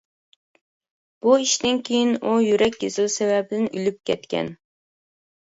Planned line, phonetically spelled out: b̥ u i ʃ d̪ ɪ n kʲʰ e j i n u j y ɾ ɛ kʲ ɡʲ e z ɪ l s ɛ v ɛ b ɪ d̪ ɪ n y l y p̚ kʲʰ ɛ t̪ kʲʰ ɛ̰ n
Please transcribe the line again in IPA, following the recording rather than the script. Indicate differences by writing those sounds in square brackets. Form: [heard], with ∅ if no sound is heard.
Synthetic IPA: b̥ u i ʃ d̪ ɪ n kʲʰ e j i n u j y ɾ ɛ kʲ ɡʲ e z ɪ l s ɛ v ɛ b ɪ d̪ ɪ n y l y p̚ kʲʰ ɛ t̪ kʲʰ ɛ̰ n

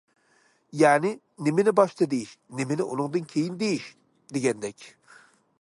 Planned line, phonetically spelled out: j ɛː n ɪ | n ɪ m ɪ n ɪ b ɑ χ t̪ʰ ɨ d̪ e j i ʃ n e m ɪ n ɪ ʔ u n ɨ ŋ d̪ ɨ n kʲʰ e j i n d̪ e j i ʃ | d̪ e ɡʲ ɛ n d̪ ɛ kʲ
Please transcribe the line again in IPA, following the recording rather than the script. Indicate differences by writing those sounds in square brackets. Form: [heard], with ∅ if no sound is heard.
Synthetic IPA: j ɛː n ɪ | n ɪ m ɪ n ɪ b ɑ [ʃ] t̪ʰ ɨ d̪ e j i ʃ n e m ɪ n ɪ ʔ u n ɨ ŋ d̪ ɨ n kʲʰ e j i n d̪ e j i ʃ | d̪ e ɡʲ ɛ n d̪ ɛ kʲ

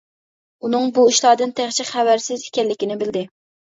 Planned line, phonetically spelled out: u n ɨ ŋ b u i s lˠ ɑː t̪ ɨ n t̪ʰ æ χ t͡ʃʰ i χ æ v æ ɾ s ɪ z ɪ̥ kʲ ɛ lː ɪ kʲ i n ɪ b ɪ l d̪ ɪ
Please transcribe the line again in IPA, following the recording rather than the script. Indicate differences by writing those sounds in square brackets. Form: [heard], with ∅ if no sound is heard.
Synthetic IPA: u n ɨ ŋ b u i [ʃ] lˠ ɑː [d̪] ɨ n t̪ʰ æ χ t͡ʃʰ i χ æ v æ ɾ s ɪ z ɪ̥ kʲ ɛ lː ɪ kʲ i n ɪ b ɪ l d̪ ɪ

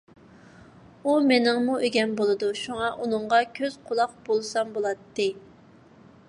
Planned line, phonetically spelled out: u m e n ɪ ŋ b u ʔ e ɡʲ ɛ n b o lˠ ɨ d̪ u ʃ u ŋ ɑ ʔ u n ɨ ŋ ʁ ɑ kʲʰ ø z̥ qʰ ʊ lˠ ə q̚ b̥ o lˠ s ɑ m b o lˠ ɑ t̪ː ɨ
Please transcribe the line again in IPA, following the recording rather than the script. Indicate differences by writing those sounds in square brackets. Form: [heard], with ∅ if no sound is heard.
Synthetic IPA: u m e n ɪ ŋ [m] u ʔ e ɡʲ ɛ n b o lˠ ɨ d̪ u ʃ u ŋ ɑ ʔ u n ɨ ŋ ʁ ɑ kʲʰ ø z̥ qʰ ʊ lˠ [ɑ] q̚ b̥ o lˠ s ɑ m b o lˠ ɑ t̪ː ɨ

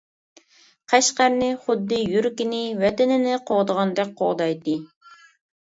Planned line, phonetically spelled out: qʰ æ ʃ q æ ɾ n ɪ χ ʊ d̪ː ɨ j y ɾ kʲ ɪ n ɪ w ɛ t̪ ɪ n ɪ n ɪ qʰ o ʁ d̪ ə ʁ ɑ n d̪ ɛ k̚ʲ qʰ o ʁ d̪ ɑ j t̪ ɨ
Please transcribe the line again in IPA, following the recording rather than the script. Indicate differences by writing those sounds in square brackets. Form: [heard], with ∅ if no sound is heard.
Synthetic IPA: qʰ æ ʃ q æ ɾ n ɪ χ ʊ d̪ː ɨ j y ɾ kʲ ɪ n ɪ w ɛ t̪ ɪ n ɪ n ɪ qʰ o ʁ d̪ ə ʁ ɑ n d̪ ɛ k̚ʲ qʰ o ʁ d̪ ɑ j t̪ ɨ

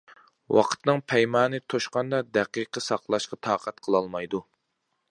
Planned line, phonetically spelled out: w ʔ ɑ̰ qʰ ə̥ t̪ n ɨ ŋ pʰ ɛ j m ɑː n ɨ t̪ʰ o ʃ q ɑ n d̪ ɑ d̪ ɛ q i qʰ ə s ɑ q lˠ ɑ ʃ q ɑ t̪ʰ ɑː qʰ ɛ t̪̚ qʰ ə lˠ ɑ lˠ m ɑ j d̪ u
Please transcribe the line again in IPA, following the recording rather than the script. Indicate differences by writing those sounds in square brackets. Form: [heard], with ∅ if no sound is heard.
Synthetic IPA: w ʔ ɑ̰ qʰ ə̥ t̪ n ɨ ŋ pʰ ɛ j m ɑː n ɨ t̪ʰ o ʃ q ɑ n d̪ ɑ d̪ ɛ q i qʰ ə s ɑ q lˠ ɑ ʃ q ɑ t̪ʰ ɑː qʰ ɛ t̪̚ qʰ ə lˠ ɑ lˠ m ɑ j d̪ u

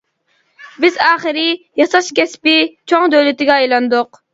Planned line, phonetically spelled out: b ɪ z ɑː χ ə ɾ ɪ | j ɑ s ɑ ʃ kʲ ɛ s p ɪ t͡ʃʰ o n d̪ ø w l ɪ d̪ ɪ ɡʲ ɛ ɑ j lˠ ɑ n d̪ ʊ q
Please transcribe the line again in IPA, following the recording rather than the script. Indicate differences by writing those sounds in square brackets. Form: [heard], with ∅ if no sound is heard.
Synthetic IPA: b ɪ z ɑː χ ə ɾ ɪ | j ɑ s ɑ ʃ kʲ ɛ s p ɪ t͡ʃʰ o [ŋ] d̪ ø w l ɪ [t̪] ɪ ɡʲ ɛ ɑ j lˠ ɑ n d̪ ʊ q

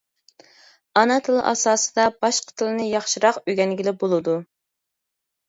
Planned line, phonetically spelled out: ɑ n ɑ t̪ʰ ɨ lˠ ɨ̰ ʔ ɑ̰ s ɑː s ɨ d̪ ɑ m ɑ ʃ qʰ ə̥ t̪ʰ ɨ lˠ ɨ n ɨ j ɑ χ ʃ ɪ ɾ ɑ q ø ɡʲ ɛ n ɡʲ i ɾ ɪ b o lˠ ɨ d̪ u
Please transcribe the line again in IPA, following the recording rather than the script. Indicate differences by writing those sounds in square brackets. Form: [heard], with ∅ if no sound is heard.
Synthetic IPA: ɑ n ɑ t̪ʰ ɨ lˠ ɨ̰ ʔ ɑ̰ s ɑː s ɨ d̪ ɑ [b] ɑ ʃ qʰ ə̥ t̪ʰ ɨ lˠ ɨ n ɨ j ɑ χ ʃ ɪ ɾ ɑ q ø ɡʲ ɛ n ɡʲ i [l] ɪ b o lˠ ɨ d̪ u

